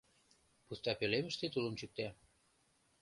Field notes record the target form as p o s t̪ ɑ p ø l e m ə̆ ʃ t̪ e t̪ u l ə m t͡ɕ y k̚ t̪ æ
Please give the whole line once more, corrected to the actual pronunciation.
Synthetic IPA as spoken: p u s t̪ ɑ p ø l e m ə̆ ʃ t̪ e t̪ u l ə m t͡ɕ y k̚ t̪ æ